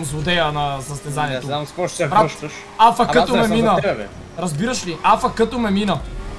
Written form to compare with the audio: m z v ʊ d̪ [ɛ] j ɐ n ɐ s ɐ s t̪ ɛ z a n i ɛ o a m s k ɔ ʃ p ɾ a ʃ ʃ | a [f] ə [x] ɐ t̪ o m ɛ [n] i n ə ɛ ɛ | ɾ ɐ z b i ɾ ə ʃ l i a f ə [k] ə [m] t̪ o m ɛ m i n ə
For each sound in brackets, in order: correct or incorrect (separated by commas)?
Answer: correct, correct, incorrect, incorrect, correct, incorrect